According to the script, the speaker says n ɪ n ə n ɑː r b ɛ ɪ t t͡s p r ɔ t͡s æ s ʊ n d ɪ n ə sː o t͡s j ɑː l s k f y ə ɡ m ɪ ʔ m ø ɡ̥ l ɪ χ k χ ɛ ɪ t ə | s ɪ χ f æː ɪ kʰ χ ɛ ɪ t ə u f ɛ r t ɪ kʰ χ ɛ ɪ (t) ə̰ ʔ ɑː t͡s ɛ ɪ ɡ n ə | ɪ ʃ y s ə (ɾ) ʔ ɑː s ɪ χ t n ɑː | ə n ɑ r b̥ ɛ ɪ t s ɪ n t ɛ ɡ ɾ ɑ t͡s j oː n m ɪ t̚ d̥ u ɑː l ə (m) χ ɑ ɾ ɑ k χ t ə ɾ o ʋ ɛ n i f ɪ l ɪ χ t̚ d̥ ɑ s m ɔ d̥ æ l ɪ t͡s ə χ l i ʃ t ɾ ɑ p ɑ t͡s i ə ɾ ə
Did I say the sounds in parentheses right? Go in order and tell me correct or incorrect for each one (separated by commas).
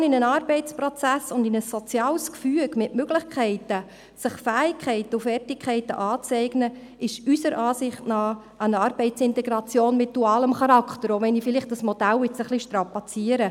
correct, correct, correct